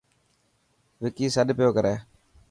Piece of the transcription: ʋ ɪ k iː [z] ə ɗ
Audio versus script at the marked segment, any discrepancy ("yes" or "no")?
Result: yes